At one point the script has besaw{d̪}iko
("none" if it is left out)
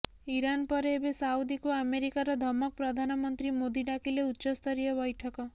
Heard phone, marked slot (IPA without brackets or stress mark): d̪